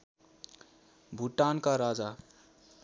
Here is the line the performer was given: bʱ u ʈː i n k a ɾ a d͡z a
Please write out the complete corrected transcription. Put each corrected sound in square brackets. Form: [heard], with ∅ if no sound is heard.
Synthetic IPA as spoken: bʱ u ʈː [a] n k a ɾ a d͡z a